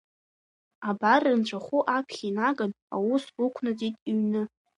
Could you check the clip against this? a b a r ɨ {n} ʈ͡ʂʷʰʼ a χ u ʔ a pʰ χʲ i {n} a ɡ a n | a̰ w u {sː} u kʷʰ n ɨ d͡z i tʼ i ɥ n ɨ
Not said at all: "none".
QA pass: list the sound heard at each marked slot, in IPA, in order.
n, n, s

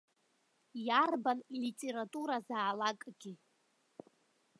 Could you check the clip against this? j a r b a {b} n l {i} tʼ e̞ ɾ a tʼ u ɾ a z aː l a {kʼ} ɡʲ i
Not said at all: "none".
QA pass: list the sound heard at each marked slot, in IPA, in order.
none, i, kʼ

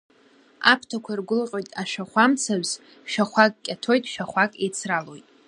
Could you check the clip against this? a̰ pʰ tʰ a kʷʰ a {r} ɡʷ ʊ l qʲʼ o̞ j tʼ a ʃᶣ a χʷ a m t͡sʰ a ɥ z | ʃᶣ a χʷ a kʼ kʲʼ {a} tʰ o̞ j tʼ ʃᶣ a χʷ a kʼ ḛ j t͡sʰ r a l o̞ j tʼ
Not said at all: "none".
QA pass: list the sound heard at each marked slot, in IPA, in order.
r, a

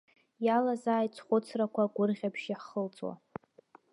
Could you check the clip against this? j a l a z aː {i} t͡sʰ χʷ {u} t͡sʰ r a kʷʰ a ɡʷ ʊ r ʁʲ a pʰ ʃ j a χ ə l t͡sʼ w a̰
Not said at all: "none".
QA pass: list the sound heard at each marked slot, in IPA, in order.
j, ʊ

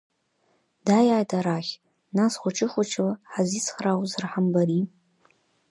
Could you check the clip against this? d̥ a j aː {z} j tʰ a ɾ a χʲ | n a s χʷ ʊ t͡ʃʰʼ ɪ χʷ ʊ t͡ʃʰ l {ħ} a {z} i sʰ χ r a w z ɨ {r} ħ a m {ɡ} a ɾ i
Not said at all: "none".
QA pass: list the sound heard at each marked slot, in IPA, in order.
none, ħ, z, r, b

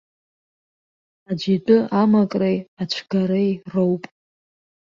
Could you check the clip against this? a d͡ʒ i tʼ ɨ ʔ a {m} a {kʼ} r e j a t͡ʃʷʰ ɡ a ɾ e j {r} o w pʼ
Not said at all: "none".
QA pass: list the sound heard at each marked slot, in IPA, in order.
m, kʼ, r

